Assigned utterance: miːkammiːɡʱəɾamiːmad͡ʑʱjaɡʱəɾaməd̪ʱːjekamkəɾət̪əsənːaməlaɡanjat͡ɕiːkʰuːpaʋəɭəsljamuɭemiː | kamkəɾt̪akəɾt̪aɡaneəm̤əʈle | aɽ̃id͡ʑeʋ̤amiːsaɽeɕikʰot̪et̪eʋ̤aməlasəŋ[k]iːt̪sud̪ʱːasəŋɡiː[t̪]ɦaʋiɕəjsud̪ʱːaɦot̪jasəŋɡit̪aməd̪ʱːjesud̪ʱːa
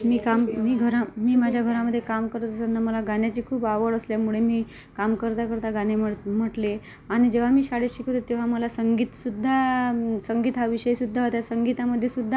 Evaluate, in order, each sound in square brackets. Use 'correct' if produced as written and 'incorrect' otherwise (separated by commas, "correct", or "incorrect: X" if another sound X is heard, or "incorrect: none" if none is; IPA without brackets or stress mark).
incorrect: ɡ, correct